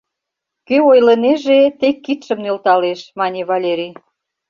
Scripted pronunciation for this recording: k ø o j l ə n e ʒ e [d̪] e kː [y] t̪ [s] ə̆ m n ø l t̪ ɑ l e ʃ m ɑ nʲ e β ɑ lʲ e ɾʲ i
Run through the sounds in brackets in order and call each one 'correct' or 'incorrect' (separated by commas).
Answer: incorrect, incorrect, incorrect